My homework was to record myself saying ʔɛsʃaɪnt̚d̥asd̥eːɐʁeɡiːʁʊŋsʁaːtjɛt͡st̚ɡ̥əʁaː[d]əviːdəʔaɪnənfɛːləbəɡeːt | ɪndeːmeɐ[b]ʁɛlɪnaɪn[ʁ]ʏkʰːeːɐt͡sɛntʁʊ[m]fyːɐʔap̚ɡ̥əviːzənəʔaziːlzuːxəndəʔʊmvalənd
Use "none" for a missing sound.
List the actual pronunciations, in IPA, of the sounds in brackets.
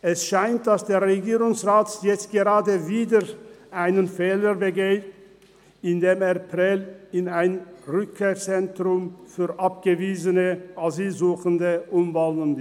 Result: d, p, ʁ, m

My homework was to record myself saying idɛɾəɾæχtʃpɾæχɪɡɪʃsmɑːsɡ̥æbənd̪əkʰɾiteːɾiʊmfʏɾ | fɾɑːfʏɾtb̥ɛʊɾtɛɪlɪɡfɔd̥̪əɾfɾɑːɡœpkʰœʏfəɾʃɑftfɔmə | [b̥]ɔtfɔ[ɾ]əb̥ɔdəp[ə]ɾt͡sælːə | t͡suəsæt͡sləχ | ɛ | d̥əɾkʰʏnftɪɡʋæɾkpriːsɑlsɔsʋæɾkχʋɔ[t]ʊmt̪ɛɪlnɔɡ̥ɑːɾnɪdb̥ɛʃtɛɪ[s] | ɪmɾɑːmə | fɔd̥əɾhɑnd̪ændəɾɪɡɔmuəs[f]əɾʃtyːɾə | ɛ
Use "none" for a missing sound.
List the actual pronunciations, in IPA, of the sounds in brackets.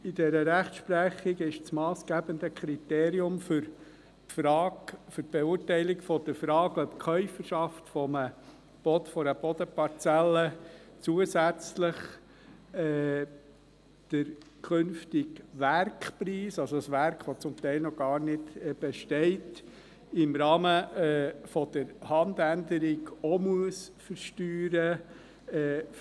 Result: b̥, ɾ, ɑ, t͡s, t, f

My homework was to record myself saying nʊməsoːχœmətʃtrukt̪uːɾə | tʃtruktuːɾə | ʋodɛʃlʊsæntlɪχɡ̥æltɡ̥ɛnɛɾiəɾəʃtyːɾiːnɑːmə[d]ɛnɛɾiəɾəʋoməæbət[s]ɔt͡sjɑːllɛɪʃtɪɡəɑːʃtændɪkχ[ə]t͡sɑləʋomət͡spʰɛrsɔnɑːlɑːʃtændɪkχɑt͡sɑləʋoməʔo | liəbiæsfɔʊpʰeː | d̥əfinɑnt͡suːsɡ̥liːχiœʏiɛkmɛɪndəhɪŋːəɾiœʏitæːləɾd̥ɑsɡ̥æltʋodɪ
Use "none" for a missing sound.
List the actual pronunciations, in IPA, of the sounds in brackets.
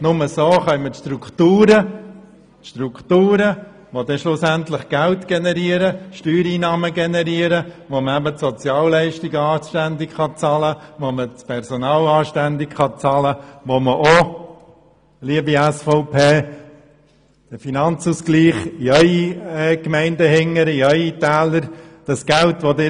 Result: ɡ, s, ɑ

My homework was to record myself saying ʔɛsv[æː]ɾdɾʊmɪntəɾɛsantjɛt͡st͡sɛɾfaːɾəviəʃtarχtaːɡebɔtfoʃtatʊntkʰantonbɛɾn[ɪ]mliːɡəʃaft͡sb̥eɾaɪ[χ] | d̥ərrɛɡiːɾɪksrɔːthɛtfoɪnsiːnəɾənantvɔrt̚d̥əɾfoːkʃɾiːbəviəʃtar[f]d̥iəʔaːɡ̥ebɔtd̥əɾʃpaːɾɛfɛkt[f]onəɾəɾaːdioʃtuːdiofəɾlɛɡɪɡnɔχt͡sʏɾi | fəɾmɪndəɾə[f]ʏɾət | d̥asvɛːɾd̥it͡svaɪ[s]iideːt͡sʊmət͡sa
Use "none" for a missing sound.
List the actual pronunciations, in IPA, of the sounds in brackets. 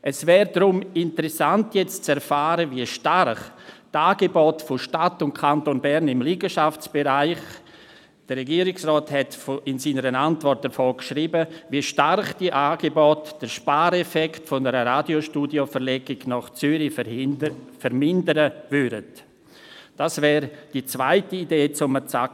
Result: ɛː, ɪ, χ, χ, f, v, t

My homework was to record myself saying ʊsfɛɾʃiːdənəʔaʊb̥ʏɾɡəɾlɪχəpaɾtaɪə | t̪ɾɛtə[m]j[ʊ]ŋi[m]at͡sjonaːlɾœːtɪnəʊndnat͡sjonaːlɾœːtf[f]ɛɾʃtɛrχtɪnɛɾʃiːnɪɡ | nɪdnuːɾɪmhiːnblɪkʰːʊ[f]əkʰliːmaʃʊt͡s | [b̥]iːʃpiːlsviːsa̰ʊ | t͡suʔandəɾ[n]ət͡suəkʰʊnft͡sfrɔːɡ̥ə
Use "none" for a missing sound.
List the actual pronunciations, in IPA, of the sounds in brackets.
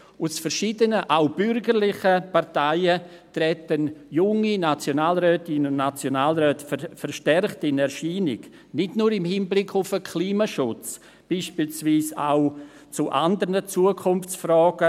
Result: n, ʊ, n, f, f, b̥, n

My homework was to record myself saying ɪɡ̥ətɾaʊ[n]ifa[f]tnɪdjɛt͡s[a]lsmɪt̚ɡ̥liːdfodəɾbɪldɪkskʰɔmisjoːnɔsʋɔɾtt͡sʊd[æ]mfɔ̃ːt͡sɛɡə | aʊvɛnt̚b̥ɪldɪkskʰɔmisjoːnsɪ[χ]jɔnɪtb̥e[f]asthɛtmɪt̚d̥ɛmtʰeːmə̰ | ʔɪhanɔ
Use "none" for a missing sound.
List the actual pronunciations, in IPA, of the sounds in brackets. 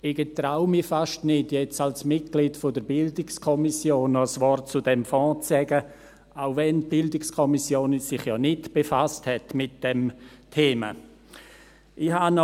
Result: m, ʃ, a, ɛ, χ, f

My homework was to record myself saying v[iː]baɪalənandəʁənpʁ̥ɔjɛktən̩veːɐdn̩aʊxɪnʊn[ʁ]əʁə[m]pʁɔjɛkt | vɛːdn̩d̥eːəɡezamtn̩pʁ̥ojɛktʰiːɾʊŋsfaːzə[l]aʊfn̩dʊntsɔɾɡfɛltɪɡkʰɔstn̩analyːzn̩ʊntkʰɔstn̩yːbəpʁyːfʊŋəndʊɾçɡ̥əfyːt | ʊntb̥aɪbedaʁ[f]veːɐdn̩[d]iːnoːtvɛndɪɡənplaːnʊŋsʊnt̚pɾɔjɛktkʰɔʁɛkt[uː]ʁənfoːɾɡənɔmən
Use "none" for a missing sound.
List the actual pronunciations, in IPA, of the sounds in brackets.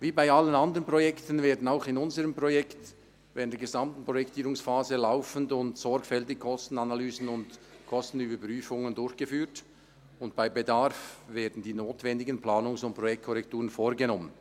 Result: iː, z, m, l, f, d, uː

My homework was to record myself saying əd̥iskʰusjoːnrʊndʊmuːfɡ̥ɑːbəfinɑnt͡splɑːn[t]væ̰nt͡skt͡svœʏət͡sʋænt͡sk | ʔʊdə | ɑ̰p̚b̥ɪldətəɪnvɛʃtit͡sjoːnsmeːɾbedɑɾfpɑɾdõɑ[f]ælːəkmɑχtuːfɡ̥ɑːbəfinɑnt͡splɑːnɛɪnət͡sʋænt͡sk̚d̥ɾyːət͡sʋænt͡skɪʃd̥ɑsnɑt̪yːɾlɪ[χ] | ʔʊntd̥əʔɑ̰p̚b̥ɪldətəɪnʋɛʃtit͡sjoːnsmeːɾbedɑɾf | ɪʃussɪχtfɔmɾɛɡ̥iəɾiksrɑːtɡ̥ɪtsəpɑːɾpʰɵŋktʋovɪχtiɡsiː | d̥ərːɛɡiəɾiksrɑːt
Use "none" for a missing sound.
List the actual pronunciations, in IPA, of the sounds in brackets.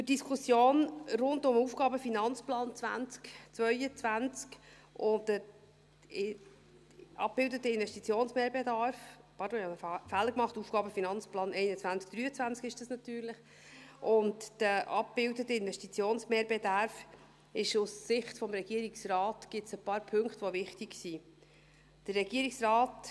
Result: t͡s, f, χ

